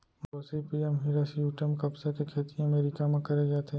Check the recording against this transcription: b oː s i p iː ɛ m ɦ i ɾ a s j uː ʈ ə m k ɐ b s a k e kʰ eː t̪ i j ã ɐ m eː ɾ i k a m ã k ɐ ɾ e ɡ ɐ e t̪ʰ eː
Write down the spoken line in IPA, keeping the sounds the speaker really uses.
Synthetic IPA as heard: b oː s i p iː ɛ m ɦ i ɾ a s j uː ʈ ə m k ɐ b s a k e kʰ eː t̪ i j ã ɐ m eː ɾ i k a m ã k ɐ ɾ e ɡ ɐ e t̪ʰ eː